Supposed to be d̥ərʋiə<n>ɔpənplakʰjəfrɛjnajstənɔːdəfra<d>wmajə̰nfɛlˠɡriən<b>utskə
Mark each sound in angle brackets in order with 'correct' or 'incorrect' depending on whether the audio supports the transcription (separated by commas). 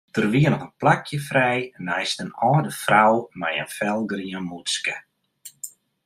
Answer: correct, incorrect, incorrect